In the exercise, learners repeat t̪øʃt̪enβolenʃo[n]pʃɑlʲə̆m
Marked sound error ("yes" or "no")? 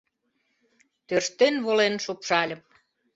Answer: yes